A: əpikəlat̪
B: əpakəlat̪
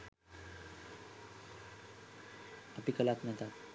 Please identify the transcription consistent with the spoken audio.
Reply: A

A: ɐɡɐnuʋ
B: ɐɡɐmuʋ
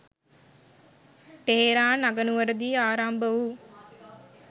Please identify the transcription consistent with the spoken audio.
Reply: A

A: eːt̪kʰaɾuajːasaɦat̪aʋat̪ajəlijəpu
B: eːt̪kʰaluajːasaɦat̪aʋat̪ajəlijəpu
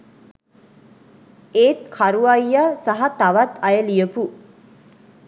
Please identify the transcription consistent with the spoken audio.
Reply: A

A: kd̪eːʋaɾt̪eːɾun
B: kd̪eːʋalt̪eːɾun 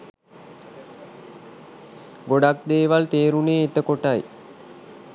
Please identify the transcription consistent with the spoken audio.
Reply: B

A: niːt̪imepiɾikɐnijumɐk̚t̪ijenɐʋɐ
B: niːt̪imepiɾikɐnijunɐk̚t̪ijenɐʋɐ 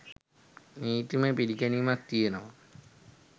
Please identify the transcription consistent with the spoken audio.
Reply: A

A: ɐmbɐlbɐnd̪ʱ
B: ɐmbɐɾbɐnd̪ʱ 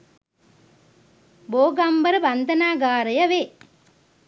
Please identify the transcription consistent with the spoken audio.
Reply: B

